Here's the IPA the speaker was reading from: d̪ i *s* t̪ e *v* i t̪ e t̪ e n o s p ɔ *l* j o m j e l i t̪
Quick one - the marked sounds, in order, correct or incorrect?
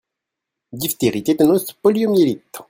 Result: incorrect: f, incorrect: ʁ, correct

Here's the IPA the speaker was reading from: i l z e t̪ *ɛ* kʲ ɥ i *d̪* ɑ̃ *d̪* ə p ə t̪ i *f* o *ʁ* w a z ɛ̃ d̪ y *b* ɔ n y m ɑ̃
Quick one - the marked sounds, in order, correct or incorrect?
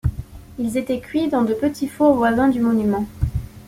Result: correct, correct, correct, correct, incorrect: v, incorrect: m

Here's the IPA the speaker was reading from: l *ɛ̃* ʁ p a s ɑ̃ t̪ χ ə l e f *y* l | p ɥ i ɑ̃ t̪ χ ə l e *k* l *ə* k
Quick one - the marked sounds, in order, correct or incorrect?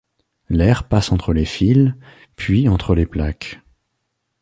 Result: incorrect: ɛ, incorrect: i, incorrect: p, incorrect: a

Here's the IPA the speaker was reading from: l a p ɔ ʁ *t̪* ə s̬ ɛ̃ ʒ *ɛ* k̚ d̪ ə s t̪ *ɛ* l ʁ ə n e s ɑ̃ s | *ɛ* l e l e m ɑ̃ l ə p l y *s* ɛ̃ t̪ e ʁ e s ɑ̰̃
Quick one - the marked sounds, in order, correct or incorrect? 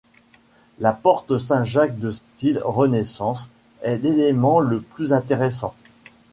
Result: correct, incorrect: a, incorrect: i, correct, incorrect: z

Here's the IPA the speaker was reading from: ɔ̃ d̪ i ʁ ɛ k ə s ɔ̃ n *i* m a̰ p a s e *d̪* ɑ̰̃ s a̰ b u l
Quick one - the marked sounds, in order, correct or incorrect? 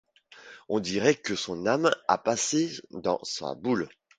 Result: incorrect: a, correct

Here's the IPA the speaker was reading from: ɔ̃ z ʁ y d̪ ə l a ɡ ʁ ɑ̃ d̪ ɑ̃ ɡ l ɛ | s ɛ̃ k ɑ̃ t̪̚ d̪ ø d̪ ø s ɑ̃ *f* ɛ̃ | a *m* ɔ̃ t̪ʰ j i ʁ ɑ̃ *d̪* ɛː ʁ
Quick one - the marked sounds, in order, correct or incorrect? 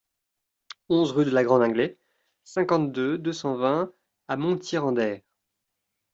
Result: incorrect: v, correct, correct

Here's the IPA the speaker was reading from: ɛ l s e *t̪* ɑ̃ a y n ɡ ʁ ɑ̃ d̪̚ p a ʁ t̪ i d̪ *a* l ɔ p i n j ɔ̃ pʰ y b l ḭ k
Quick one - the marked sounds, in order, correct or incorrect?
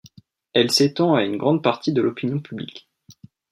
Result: correct, incorrect: ə

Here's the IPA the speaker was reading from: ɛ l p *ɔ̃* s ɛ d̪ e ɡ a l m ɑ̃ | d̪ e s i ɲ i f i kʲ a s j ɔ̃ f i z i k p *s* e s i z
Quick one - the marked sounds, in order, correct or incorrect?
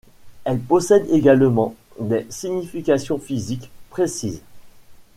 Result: incorrect: ɔ, incorrect: χ

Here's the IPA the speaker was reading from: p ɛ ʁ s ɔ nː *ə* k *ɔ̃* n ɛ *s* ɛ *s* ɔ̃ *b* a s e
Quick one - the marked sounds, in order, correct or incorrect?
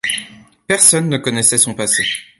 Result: correct, incorrect: ɔ, correct, correct, incorrect: p

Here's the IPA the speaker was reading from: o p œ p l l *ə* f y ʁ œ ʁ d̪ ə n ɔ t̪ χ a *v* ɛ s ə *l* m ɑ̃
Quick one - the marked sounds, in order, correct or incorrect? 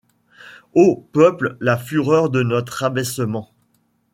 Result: incorrect: a, incorrect: b, incorrect: none

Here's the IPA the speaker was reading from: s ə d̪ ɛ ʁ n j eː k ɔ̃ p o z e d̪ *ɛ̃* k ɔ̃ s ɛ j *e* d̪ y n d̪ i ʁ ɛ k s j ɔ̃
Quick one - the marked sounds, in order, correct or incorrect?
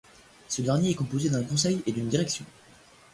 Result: correct, correct

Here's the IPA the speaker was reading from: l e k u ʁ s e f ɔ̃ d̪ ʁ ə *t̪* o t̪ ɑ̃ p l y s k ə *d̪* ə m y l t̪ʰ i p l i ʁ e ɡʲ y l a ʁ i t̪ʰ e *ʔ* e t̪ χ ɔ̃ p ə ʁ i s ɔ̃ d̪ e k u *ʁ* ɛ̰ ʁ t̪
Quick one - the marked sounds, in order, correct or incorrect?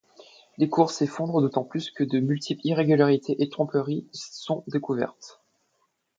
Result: incorrect: d̪, correct, correct, incorrect: v

